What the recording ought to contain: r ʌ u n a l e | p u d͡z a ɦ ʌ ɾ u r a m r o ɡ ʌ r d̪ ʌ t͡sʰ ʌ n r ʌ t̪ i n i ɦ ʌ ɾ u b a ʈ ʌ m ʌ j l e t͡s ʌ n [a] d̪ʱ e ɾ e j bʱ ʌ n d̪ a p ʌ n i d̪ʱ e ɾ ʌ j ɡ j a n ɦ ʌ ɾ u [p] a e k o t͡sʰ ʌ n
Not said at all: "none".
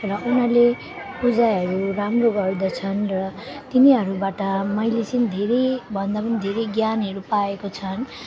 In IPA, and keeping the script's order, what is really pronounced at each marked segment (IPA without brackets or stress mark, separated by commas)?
i, p